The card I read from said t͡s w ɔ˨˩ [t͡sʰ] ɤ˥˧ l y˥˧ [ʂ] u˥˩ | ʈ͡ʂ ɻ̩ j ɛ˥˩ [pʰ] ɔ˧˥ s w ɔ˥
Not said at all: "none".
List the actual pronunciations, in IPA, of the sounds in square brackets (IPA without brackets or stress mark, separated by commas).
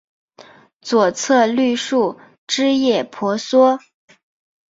t͡sʰ, ʂ, pʰ